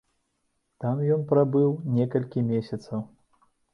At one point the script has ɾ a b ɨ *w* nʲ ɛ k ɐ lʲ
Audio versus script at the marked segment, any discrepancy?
no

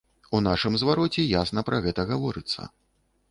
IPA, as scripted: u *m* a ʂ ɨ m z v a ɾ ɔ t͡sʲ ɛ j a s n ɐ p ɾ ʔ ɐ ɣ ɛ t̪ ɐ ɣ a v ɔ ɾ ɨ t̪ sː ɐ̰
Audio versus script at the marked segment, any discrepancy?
yes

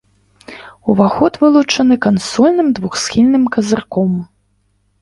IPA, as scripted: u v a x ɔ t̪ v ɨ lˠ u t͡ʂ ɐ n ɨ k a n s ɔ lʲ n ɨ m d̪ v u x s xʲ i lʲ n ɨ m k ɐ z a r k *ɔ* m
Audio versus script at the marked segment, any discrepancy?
no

